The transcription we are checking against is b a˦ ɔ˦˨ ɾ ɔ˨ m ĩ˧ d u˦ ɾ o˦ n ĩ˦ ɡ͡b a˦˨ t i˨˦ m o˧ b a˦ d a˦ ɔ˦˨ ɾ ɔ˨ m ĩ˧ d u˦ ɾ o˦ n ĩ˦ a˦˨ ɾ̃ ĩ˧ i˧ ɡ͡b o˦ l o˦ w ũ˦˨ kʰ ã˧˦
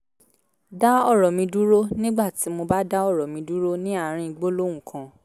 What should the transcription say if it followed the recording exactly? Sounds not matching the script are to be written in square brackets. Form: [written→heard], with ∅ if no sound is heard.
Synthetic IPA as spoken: [b→d] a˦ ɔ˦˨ ɾ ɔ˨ m ĩ˧ d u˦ ɾ o˦ n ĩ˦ ɡ͡b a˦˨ t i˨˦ m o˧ b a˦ d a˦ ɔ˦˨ ɾ ɔ˨ m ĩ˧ d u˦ ɾ o˦ n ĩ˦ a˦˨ ɾ̃ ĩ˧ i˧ ɡ͡b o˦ l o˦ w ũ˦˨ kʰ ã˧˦